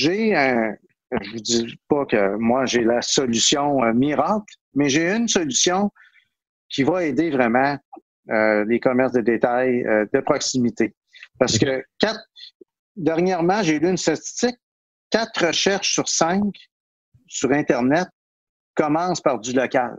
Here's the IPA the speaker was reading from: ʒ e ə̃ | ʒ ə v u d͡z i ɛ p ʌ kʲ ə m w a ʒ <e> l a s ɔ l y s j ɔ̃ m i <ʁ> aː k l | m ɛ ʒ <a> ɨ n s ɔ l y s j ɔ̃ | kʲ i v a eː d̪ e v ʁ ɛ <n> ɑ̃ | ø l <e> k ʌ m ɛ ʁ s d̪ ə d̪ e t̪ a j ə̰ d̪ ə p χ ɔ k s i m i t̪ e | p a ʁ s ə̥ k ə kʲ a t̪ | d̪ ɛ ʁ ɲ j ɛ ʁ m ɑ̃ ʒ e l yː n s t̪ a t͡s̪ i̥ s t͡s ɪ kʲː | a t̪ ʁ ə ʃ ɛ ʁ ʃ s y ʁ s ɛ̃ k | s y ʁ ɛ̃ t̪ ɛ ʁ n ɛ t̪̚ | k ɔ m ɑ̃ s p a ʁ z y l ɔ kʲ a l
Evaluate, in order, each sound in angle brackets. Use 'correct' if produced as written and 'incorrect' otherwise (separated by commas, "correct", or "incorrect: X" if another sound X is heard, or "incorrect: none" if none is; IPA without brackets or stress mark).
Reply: correct, correct, incorrect: e, incorrect: m, correct